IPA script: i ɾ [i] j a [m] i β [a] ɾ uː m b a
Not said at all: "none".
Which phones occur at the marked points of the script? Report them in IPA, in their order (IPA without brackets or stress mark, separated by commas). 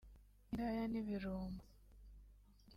a, n, i